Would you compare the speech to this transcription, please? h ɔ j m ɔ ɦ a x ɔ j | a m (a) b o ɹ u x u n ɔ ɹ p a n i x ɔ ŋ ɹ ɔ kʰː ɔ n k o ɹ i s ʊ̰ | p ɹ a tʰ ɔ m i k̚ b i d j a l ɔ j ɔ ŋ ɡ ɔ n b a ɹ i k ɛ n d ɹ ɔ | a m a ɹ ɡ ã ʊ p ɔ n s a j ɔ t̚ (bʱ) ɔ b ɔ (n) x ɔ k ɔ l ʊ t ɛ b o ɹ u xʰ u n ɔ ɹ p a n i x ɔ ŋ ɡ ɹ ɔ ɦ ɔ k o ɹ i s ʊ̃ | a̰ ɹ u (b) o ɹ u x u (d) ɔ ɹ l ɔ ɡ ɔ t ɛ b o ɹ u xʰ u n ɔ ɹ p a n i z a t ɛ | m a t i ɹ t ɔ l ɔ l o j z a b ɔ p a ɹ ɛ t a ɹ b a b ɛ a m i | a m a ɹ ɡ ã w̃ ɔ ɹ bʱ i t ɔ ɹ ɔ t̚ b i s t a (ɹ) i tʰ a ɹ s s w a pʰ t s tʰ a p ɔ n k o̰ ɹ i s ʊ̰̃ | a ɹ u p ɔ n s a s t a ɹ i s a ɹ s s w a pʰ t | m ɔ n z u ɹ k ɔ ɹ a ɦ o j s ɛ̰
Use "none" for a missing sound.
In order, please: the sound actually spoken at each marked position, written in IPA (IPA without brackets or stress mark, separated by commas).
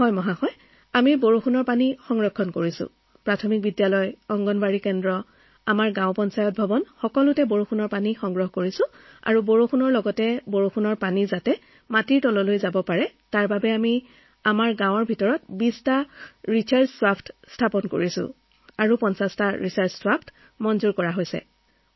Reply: i, bʱ, n, b, n, ɹ